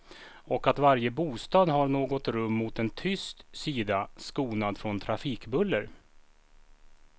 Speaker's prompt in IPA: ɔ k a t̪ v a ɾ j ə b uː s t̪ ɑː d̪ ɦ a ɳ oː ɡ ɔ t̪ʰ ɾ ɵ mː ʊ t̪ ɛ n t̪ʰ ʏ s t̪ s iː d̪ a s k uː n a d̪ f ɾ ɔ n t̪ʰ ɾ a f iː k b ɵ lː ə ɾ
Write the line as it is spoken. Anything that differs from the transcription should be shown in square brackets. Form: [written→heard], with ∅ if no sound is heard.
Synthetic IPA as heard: ɔ k a t̪ v a ɾ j ə b uː s t̪ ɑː d̪ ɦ a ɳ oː ɡ ɔ [t̪ʰ→t̪] ɾ ɵ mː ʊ t̪ ɛ n t̪ʰ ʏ s t̪ s iː d̪ a s k uː n a d̪ f ɾ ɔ n t̪ʰ ɾ a f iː k b ɵ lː ə ɾ